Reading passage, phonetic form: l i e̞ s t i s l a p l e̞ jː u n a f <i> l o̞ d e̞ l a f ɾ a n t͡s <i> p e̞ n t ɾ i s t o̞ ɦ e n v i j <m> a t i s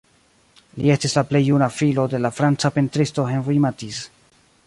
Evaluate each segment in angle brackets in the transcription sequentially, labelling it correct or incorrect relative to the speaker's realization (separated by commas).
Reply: correct, incorrect, correct